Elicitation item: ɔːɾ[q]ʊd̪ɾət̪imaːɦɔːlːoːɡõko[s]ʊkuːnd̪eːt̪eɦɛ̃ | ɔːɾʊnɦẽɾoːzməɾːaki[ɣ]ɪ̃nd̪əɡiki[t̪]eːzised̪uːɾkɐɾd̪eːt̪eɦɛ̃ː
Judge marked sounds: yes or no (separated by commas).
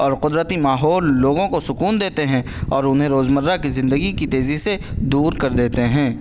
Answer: yes, yes, no, yes